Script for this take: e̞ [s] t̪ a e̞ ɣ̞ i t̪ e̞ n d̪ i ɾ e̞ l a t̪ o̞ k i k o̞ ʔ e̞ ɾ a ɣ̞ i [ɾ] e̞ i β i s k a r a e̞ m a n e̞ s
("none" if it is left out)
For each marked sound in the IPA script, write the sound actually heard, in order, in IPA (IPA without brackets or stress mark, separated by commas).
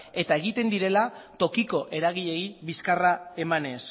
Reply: none, ʎ